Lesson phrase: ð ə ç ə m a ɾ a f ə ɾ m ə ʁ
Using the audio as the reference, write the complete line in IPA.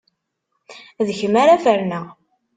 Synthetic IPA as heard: ð ə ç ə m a ɾ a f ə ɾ n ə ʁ